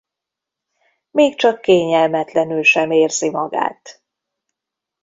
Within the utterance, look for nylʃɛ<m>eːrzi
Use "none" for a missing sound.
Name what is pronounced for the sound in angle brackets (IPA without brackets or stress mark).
m